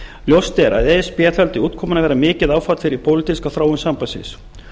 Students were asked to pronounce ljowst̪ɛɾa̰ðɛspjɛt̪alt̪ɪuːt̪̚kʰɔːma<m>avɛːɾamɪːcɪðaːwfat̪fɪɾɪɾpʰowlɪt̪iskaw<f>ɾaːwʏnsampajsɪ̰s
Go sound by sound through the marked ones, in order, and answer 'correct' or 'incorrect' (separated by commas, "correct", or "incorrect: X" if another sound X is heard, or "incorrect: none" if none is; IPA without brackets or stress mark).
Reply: incorrect: n, incorrect: θ